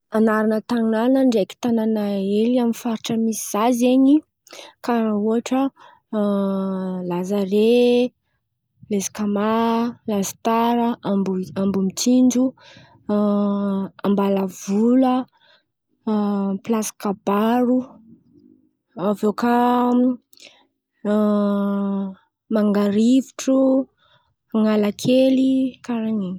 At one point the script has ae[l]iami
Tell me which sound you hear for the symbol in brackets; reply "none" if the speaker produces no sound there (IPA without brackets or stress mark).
l